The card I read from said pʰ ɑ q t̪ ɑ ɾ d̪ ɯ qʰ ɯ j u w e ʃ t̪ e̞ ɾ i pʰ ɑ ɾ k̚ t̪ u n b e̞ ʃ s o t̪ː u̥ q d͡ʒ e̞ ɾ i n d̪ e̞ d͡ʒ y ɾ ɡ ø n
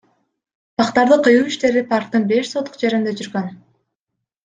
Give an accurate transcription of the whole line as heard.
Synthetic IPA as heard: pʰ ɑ q t̪ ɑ ɾ d̪ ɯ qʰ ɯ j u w i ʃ t̪ e̞ ɾ i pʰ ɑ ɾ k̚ t̪ ɯ n b e̞ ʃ s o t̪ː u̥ q d͡ʒ e̞ ɾ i n d̪ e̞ d͡ʒ y ɾ ɡ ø n